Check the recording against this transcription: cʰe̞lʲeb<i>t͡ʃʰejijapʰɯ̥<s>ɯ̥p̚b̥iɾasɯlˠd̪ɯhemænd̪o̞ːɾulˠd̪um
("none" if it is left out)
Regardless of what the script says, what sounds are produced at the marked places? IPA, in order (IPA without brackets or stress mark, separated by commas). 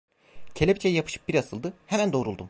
i, ʃ